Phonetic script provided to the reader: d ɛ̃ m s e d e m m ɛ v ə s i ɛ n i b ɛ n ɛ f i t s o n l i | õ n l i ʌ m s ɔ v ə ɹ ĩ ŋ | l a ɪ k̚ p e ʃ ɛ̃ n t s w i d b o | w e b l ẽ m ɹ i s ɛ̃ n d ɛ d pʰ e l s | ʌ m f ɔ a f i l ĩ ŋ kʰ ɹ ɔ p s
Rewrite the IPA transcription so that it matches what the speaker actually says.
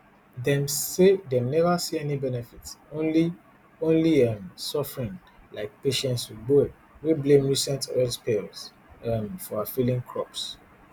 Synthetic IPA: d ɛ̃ m s e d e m n ɛ v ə s i ɛ n i b ɛ n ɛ f i t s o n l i | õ n l i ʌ m s ɔ f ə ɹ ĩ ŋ | l a ɪ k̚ p e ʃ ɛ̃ n t s w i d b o | w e b l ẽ m ɹ i s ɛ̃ n t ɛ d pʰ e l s | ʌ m f ɔ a f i l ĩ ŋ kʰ ɹ ɔ p s